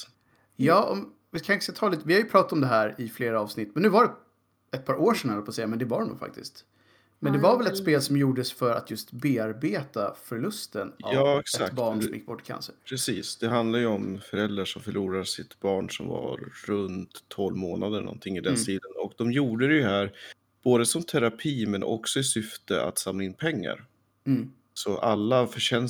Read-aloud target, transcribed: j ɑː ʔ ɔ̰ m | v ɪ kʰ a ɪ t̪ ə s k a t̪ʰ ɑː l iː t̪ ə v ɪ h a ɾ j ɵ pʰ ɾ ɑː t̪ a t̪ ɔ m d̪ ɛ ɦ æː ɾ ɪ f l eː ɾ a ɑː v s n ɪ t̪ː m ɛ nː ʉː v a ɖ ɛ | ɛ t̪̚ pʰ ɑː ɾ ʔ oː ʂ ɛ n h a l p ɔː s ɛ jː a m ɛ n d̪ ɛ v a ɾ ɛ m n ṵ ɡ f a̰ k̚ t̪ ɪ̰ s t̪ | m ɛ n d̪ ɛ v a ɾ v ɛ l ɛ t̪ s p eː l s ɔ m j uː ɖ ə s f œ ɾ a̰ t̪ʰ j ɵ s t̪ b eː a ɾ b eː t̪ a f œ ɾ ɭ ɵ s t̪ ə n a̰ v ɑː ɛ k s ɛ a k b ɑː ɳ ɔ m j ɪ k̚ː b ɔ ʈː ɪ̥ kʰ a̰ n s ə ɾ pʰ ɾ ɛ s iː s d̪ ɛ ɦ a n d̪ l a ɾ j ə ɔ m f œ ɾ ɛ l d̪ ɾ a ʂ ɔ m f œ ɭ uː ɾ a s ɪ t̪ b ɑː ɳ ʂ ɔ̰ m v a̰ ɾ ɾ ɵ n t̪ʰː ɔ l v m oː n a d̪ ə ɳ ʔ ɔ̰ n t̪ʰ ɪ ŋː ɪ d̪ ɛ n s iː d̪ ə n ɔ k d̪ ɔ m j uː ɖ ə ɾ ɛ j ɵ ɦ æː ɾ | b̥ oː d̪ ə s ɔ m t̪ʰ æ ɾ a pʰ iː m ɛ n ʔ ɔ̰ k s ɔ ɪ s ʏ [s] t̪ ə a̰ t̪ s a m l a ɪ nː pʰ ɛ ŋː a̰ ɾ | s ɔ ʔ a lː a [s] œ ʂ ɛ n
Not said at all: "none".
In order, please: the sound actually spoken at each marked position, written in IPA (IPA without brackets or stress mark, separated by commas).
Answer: f, f